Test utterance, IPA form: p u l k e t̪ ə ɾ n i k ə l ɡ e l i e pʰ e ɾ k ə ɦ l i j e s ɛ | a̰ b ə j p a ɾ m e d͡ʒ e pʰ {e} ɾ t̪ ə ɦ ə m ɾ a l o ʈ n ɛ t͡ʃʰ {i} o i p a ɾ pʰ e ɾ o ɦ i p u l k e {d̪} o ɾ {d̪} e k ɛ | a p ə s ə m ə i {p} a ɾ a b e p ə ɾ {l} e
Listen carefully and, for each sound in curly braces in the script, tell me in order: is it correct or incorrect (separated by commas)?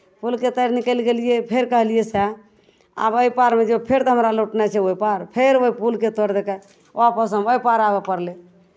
correct, incorrect, incorrect, correct, correct, correct